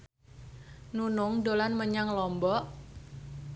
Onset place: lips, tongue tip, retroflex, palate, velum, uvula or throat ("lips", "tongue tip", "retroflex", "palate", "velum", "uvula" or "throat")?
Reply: tongue tip